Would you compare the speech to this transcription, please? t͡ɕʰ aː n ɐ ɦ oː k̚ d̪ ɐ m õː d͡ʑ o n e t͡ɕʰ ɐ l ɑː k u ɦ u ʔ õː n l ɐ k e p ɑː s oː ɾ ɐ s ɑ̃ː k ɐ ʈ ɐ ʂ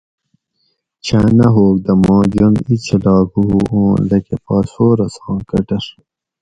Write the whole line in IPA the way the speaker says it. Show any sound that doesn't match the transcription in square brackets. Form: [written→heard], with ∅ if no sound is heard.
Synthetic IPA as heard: t͡ɕʰ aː n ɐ ɦ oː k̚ d̪ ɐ m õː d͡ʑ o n [e→i] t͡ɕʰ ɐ l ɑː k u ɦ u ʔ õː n l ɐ k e p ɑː s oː ɾ ɐ s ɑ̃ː k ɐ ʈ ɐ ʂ

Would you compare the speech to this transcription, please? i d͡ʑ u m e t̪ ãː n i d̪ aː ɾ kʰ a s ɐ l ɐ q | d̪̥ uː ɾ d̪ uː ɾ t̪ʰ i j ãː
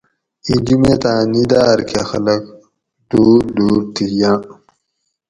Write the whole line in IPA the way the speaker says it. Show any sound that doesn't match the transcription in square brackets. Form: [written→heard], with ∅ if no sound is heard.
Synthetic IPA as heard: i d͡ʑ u m e t̪ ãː n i d̪ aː ɾ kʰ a [s→x] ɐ l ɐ [q→k] | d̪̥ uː ɾ d̪ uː ɾ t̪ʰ i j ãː

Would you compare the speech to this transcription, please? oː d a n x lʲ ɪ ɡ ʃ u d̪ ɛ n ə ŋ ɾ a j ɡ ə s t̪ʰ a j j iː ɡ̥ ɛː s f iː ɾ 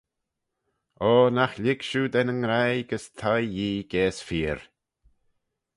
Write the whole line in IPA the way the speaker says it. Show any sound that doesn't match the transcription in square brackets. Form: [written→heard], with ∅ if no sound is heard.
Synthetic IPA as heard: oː [d→n] a [n→∅] x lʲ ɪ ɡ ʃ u d̪ ɛ n ə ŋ ɾ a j ɡ ə s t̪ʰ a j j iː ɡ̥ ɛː s f iː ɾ

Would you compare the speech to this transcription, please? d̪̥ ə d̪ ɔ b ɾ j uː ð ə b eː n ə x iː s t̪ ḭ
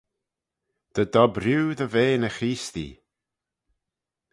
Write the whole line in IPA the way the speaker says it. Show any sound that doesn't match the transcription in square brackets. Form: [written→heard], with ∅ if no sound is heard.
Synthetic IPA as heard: d̪̥ ə d̪ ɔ b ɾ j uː ð ə [b→v] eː n ə x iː s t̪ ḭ

